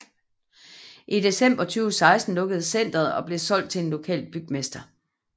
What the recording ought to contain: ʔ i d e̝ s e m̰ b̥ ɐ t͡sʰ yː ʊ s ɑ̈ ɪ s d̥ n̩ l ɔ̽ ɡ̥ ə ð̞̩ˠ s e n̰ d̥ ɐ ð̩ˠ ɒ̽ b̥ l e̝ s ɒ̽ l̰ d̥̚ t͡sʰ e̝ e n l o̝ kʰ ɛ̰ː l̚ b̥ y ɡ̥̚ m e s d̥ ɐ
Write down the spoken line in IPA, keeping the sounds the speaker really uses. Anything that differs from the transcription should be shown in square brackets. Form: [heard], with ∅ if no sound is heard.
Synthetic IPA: ʔ i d e̝ s e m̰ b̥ ɐ t͡sʰ yː ʊ s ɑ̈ ɪ s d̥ n̩ l ɔ̽ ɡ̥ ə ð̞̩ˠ s e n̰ d̥ ɐ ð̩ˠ ɒ̽ b̥ l e̝ s ɒ̽ l̰ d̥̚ t͡sʰ e̝ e n l o̝ kʰ ɛ̰ː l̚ b̥ y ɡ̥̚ m e s d̥ ɐ